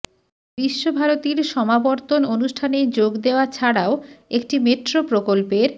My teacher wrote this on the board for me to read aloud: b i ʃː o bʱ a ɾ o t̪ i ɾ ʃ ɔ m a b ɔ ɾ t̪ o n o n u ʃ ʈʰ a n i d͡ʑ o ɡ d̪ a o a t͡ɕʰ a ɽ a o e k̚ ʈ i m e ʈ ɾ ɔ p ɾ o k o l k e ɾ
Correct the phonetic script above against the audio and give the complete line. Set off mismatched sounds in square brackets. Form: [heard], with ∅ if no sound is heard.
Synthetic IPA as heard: b i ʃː o bʱ a ɾ o t̪ i ɾ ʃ ɔ m a b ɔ ɾ t̪ o n o n u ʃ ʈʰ a n [e] d͡ʑ o ɡ d̪ [e] o a t͡ɕʰ a ɽ a o e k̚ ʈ i m e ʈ ɾ [o] p ɾ o k o l [p] e ɾ